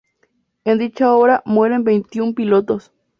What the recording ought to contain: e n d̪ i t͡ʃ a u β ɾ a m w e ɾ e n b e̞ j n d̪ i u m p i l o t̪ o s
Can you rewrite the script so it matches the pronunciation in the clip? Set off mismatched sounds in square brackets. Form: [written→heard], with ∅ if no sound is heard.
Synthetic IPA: e n d̪ i t͡ʃ a [u→o] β ɾ a m w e ɾ e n b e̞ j n [d̪→t̪] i u m p i l o t̪ o s